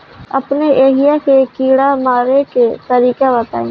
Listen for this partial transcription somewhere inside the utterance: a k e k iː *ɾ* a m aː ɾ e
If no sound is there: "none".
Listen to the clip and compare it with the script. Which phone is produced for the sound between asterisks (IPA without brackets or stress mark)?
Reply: ɽ